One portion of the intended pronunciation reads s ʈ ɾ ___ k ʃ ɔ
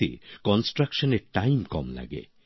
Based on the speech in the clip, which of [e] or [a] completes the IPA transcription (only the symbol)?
a